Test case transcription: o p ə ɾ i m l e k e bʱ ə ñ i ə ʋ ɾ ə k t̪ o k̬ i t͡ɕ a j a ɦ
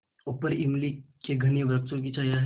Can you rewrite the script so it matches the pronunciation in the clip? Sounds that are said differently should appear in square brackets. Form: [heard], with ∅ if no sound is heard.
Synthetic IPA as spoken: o p ə ɾ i m l [i] k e [ɡʱ] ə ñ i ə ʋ ɾ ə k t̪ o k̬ i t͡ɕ a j a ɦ